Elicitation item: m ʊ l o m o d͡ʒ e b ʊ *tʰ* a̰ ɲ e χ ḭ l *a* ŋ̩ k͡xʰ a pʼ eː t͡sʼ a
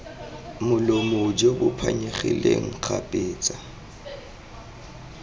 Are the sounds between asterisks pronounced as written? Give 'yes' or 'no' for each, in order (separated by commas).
no, no